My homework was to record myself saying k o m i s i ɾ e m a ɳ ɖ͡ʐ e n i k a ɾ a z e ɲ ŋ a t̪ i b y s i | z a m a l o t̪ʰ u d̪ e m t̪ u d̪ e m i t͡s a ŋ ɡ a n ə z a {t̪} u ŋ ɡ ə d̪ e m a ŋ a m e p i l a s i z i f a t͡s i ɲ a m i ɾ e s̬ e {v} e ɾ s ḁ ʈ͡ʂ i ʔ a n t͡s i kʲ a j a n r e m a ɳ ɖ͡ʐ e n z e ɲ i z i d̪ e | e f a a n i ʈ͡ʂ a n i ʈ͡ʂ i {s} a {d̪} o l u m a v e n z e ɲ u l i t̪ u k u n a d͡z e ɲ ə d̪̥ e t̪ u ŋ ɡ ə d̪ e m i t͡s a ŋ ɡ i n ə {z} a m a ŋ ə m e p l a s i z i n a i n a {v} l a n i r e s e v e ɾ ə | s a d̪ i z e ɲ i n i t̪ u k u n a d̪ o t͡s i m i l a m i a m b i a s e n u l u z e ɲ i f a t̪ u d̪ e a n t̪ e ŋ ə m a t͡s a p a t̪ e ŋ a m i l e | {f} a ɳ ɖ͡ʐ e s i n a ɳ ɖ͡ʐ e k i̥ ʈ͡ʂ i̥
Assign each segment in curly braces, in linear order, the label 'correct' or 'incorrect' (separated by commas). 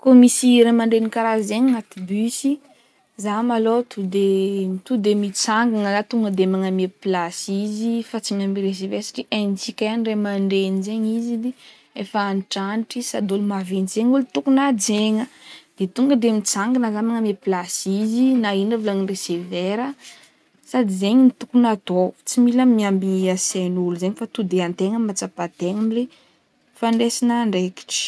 correct, correct, correct, correct, correct, correct, correct